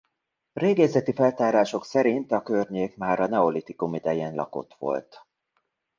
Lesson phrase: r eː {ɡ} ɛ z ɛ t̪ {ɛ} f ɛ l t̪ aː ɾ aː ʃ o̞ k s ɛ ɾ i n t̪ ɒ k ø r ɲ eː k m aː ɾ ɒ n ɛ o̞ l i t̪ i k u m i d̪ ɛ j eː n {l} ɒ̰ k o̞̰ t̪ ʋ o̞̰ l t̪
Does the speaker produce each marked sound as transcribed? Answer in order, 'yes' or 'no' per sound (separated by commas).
yes, no, yes